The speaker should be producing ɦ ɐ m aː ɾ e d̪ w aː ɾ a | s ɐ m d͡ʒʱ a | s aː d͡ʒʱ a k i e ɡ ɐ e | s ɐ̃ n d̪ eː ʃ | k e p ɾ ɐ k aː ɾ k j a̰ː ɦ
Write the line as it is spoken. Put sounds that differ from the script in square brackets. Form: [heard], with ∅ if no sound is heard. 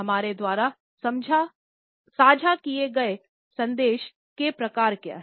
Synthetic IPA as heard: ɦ ɐ m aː ɾ e d̪ w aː ɾ a | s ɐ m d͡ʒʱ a | s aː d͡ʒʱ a k i e ɡ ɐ e | s ɐ̃ n d̪ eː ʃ | k e p ɾ ɐ k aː ɾ k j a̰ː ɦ